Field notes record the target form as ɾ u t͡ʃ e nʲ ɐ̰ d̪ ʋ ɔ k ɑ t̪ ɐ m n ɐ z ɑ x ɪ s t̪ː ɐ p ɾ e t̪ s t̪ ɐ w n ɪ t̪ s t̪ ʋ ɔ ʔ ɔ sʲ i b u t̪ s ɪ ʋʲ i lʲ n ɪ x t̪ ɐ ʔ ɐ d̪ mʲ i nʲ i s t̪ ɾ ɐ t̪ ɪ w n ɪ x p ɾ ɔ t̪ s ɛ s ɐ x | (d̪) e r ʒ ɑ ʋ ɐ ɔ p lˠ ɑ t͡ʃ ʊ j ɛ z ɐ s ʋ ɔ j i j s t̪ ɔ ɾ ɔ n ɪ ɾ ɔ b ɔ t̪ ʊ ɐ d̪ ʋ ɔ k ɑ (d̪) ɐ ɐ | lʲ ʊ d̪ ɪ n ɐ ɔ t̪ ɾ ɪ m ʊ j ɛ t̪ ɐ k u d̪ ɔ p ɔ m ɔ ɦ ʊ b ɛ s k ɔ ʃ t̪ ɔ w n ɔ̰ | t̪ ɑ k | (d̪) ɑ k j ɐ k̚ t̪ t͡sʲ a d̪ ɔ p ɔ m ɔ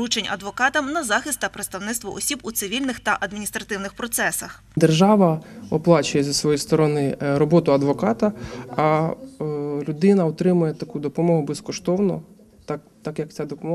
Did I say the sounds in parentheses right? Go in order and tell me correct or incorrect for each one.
correct, incorrect: t̪, incorrect: t̪

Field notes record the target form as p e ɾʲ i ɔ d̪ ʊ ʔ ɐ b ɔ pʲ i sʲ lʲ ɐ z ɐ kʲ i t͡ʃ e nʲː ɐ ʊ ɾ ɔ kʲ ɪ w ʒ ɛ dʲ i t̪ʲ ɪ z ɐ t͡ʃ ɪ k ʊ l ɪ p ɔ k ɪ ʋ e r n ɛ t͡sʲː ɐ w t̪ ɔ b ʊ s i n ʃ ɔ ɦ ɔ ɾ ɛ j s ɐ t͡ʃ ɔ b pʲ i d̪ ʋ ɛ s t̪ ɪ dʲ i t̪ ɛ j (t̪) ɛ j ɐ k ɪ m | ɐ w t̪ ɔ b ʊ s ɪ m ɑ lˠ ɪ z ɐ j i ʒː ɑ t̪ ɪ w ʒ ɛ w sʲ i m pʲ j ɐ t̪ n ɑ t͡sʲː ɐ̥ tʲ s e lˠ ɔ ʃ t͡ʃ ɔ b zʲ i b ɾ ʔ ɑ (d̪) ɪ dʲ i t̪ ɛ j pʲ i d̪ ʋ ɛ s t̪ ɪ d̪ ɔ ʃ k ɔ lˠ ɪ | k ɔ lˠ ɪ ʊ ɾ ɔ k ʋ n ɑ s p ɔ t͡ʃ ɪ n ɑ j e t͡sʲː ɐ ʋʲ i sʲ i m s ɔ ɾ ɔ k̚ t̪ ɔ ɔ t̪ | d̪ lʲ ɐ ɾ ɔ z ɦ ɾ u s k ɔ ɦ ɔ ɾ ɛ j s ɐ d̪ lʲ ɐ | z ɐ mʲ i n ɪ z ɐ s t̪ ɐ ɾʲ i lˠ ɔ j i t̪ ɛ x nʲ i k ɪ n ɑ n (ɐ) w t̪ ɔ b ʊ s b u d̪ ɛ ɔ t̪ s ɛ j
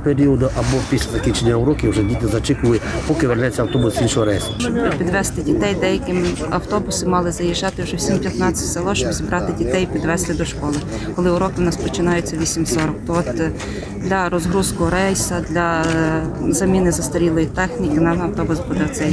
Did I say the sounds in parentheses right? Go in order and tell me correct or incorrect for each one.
incorrect: d̪, incorrect: t̪, correct

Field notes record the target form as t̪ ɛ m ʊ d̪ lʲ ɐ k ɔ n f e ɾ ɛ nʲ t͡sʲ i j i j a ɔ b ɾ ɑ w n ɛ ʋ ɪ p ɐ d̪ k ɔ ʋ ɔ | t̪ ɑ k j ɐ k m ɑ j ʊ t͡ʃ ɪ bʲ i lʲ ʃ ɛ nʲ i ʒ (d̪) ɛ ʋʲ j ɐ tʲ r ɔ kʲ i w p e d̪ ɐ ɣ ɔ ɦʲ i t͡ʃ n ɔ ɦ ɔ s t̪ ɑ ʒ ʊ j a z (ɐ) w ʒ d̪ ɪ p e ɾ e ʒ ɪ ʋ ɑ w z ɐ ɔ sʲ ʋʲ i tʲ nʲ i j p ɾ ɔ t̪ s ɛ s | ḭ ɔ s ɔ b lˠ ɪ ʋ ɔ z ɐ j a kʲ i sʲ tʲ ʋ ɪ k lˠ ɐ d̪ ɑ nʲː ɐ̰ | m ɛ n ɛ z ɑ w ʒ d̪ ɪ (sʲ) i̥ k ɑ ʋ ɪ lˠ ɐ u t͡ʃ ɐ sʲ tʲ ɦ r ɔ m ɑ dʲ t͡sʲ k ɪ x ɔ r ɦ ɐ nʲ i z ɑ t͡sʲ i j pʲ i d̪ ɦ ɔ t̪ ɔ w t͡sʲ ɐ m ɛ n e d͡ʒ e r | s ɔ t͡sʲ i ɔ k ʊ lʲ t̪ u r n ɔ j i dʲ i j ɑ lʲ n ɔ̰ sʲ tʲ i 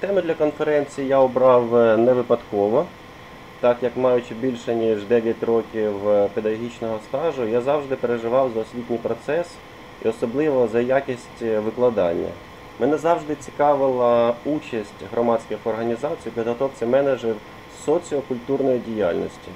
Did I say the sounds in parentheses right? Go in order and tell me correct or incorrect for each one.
correct, incorrect: ɑ, incorrect: t͡sʲ

